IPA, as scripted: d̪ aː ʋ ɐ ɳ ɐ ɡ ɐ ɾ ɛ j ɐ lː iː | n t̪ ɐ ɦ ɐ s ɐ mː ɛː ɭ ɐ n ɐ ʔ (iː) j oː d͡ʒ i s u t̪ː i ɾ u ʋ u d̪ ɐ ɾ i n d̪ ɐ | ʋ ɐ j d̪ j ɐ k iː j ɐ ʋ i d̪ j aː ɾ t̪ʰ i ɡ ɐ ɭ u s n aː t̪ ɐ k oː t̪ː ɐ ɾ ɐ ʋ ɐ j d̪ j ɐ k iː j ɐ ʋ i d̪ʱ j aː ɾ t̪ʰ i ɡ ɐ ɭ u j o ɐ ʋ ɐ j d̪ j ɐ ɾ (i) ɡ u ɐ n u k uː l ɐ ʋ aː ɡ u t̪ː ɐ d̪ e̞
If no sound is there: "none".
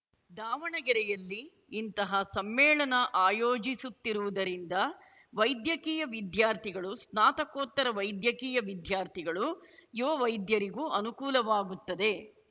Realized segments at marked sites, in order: aː, i

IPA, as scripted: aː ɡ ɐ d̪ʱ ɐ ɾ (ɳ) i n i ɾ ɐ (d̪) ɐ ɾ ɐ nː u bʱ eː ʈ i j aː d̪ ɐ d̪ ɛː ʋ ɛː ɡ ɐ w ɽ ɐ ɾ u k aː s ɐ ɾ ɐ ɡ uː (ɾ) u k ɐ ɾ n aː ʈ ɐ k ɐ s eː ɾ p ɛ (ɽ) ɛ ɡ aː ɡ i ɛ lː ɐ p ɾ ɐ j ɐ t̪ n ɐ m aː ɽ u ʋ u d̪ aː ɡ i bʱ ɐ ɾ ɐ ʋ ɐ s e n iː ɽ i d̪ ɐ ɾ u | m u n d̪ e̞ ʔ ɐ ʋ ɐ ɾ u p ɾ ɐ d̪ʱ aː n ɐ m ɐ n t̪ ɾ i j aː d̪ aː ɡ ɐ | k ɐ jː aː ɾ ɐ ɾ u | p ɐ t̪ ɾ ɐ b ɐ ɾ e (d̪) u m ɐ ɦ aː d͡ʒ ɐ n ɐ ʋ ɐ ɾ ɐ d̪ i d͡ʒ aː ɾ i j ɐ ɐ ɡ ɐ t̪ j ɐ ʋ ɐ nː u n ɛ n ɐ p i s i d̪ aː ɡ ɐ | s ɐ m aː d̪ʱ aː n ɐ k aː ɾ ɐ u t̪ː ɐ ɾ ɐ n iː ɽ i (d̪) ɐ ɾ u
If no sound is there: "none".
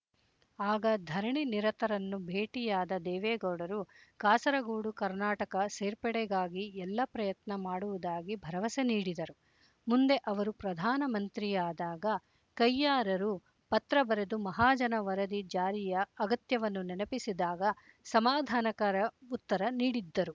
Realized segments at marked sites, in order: ɳ, t̪, ɽ, ɽ, d̪, d̪ː

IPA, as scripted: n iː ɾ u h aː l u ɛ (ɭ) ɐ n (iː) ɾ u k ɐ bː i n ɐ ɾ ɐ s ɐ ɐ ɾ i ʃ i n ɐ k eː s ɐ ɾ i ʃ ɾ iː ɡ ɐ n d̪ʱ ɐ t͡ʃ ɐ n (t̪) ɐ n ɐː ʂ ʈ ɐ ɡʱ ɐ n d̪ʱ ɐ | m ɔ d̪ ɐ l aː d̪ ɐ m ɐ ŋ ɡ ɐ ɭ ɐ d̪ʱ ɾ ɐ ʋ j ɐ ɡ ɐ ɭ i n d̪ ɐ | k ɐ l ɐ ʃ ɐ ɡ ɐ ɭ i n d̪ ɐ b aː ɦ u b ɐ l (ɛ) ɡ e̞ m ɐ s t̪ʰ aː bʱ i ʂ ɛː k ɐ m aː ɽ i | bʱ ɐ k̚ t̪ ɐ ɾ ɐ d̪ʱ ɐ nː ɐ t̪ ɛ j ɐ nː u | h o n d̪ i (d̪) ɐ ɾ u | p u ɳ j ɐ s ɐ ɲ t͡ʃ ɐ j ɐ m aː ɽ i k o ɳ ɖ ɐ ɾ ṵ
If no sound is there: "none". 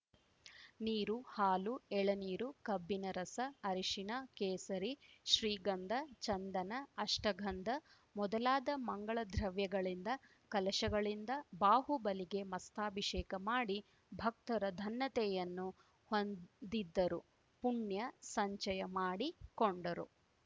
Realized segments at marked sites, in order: ɭ, iː, d̪, i, d̪ː

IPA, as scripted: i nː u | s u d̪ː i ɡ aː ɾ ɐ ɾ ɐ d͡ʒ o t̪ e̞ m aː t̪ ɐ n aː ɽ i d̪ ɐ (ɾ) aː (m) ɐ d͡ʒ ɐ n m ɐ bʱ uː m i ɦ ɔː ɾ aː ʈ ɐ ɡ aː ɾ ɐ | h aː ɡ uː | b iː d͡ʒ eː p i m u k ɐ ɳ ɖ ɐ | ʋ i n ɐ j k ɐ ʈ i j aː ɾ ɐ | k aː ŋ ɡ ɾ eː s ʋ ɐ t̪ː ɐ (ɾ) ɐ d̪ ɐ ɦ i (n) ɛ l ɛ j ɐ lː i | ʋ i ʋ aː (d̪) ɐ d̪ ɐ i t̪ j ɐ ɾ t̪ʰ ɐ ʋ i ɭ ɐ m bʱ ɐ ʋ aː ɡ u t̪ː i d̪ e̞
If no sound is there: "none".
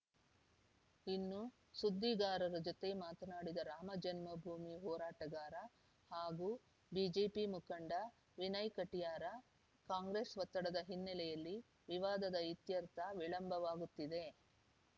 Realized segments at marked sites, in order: ɾ, m, ɽ, nː, d̪

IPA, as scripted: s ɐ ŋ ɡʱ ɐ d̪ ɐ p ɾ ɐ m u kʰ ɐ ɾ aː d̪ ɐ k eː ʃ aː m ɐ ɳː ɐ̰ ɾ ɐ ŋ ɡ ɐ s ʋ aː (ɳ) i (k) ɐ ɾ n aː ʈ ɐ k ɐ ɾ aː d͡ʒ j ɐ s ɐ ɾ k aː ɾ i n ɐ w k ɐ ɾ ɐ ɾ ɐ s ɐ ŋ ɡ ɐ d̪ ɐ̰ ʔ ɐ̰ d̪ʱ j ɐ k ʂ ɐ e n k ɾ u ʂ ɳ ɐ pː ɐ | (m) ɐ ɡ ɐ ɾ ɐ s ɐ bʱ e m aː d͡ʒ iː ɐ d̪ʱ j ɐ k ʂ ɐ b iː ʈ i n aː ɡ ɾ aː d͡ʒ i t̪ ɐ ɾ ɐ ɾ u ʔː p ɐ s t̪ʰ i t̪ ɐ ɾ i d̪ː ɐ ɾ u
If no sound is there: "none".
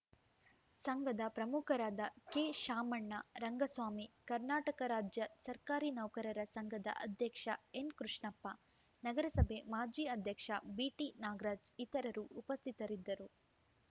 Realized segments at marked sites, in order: m, k, n

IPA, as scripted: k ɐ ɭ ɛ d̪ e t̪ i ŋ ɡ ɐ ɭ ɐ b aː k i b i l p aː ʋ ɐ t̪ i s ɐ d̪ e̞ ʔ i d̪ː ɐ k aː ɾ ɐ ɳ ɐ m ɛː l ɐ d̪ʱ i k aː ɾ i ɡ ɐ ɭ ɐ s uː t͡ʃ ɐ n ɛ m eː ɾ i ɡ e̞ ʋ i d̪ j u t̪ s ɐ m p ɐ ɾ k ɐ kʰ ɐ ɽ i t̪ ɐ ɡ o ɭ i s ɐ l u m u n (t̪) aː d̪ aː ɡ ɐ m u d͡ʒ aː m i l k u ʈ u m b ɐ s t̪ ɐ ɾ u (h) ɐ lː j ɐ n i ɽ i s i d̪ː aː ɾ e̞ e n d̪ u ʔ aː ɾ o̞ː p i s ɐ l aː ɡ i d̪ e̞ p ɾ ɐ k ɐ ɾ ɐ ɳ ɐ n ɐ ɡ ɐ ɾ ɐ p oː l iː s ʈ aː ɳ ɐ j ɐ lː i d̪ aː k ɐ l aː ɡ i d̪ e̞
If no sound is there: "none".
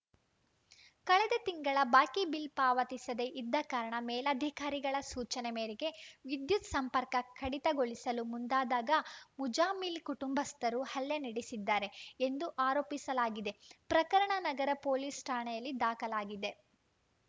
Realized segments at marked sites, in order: d̪, h

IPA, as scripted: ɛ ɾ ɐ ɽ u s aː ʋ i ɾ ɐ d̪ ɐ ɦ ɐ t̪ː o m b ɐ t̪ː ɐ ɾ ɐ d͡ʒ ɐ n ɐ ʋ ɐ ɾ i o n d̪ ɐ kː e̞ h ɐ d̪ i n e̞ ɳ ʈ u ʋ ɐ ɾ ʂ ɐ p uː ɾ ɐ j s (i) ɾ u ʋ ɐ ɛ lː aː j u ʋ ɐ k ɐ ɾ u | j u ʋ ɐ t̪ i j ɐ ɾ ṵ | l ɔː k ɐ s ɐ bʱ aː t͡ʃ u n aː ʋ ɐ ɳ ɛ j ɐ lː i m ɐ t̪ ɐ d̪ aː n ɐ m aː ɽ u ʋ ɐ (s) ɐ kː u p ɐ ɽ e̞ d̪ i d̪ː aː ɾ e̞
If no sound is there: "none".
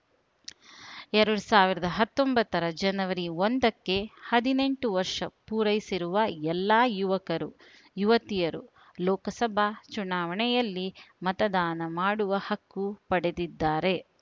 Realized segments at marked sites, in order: i, h

